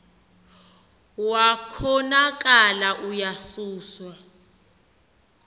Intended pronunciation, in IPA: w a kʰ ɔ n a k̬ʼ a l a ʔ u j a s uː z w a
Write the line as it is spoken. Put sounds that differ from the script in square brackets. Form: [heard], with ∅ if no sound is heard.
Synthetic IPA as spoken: w a kʰ ɔ n a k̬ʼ a l a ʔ u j a s uː [s] w a